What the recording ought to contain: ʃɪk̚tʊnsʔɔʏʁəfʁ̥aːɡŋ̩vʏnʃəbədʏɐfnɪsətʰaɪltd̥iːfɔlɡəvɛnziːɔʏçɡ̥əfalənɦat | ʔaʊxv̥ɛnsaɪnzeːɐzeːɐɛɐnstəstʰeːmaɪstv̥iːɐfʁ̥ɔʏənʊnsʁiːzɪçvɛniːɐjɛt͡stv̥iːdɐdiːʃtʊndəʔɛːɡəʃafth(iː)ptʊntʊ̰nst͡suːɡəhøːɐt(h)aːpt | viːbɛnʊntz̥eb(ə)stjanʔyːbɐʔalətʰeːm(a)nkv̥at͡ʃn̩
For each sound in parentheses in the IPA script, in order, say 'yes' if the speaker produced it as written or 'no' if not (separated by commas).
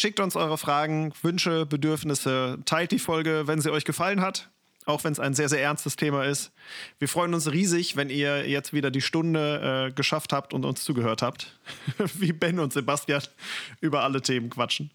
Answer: no, yes, no, no